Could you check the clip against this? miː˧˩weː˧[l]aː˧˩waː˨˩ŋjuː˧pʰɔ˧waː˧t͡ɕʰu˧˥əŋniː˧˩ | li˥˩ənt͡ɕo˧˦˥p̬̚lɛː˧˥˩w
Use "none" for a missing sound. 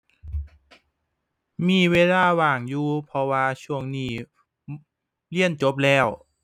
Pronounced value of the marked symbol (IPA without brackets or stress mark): l